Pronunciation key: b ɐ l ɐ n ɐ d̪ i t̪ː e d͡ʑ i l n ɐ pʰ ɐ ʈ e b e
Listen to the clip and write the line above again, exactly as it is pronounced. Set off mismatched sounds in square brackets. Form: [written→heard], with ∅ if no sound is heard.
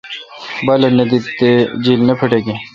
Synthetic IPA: b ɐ l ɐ n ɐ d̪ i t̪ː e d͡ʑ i l n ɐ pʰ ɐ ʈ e [b→ɡ] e

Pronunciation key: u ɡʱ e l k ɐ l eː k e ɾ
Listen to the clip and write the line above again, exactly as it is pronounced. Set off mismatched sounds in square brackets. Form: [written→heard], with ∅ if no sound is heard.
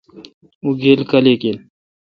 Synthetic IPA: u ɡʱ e l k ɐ l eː k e [ɾ→l]

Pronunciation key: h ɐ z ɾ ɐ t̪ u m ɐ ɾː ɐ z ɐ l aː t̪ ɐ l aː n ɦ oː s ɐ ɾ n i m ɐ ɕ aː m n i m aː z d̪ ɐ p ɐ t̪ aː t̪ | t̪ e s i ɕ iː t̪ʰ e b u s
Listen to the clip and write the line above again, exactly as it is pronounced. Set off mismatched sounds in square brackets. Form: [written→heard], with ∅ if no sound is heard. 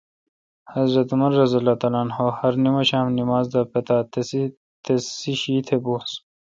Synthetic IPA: h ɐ z ɾ ɐ t̪ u m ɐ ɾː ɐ z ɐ l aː t̪ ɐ l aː n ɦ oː [s→h] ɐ ɾ n i m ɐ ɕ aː m n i m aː z d̪ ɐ p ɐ t̪ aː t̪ | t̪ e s i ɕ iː t̪ʰ e b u s

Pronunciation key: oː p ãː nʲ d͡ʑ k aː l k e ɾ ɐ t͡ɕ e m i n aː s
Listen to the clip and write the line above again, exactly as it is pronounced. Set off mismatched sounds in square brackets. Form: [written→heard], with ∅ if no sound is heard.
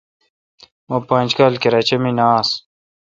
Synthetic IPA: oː p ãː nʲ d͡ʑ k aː l k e ɾ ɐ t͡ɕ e m i n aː s

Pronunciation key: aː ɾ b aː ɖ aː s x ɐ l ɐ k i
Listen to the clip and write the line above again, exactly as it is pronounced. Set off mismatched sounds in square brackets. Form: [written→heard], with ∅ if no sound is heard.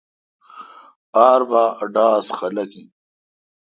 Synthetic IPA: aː ɾ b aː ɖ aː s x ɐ l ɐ k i

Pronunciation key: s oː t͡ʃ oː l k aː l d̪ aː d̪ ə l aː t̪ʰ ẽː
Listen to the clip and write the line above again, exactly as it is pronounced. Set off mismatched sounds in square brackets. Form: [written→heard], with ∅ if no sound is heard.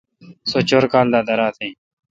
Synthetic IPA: s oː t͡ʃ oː [l→ɾ] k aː l d̪ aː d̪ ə [l→ɾ] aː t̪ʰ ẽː

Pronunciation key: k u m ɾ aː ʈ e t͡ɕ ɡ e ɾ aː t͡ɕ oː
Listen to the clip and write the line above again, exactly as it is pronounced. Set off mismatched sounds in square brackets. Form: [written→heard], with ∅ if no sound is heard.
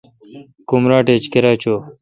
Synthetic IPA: k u m ɾ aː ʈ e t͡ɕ [ɡ→k] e ɾ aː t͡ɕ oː

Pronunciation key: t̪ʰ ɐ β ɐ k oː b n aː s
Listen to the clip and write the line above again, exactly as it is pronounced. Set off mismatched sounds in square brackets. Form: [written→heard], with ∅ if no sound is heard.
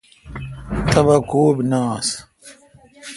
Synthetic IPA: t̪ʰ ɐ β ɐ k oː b n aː s

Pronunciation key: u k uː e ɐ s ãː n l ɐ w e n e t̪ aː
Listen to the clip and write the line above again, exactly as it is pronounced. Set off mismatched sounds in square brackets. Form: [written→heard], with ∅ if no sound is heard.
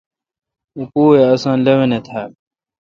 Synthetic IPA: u [k→p] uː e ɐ s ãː n l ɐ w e n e [t̪→t̪ʰ] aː

